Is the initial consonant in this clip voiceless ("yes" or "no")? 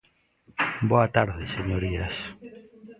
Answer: no